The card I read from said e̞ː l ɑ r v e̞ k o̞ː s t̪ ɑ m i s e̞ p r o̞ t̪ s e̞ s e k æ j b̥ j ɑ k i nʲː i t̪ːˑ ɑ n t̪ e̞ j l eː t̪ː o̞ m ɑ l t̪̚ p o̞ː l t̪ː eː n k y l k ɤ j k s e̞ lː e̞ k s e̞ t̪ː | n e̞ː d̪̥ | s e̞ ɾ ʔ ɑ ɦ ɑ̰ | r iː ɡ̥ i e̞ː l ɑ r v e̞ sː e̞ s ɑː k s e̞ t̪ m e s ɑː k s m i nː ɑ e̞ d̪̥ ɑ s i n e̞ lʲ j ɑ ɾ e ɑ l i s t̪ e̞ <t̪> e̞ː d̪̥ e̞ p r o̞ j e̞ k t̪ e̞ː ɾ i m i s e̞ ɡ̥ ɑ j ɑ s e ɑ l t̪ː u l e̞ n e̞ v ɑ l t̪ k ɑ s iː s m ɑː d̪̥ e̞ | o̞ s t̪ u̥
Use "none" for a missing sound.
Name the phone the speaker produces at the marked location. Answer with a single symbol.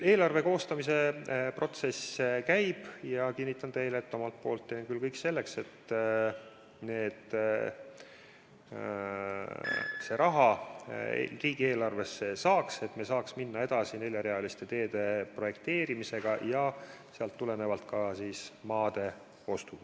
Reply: t̪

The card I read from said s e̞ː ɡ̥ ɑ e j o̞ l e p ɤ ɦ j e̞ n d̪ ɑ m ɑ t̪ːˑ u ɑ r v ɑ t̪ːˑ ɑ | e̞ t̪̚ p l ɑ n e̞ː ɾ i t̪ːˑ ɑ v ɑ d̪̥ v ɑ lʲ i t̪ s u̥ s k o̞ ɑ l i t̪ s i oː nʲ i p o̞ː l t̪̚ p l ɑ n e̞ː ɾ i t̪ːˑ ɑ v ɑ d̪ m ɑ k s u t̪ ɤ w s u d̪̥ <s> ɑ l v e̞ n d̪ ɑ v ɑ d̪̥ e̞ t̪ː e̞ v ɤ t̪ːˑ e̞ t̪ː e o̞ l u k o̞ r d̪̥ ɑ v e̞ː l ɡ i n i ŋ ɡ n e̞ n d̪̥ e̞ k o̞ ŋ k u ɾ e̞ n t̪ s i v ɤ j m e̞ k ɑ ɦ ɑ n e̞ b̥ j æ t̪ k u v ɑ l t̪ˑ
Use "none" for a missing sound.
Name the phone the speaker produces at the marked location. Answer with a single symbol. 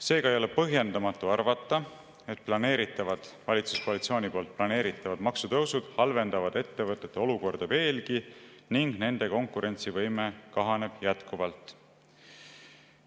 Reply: h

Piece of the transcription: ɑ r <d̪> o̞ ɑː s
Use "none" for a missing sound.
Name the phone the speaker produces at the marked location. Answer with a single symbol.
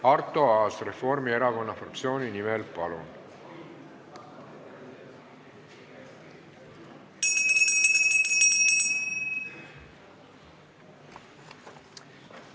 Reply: t̪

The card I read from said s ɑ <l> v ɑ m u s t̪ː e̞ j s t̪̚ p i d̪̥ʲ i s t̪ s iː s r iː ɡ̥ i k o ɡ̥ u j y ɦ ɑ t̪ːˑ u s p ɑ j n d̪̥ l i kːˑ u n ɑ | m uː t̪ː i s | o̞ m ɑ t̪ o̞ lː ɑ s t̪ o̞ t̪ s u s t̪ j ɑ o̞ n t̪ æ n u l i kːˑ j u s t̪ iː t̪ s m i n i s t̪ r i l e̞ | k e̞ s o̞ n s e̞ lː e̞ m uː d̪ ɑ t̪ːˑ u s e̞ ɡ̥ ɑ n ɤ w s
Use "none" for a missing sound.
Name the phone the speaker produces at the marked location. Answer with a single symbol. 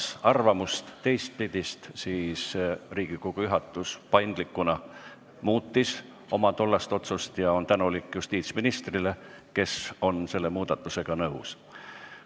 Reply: r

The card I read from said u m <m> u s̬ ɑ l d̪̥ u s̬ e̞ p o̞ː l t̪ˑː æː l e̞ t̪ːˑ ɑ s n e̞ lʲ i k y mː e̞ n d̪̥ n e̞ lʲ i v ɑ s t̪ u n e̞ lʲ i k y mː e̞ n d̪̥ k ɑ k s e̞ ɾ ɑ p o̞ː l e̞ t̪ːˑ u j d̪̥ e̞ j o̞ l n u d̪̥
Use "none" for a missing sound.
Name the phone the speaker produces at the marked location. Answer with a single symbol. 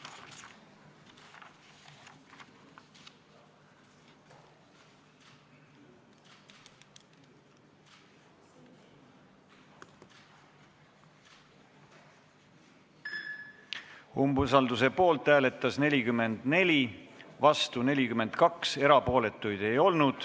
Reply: b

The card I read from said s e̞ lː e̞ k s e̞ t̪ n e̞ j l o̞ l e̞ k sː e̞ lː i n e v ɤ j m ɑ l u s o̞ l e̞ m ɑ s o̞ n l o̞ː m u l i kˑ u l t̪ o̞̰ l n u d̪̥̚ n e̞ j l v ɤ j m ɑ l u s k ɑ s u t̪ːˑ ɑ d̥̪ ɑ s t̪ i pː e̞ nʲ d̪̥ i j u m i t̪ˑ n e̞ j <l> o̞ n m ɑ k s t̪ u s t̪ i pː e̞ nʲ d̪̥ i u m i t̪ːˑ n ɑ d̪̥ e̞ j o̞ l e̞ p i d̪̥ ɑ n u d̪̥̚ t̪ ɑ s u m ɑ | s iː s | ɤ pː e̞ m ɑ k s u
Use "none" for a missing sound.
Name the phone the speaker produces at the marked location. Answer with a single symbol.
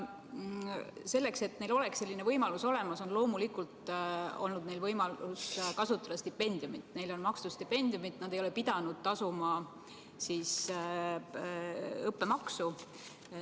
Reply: l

